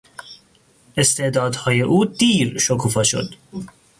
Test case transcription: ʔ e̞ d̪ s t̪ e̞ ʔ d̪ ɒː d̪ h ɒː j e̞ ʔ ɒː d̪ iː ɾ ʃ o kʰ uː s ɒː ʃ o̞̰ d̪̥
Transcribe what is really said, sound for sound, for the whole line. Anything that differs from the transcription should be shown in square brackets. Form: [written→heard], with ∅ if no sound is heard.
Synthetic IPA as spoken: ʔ e̞ [d̪→∅] s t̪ e̞ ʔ d̪ ɒː d̪ h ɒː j e̞ ʔ [ɒː→uː] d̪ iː ɾ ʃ o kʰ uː [s→f] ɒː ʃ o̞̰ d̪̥